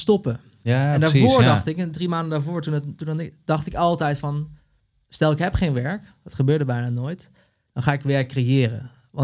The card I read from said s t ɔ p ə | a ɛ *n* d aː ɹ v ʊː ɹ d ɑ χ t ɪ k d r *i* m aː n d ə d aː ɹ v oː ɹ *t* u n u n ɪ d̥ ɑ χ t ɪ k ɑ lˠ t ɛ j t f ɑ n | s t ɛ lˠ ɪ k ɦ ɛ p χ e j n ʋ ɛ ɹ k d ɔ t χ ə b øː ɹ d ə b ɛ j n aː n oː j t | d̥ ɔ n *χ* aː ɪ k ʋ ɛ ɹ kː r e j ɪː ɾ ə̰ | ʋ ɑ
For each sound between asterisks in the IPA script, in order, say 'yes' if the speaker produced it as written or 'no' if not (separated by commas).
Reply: yes, yes, yes, yes